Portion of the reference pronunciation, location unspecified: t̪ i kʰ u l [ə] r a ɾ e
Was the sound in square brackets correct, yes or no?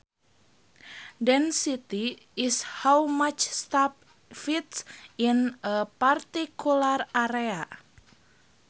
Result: no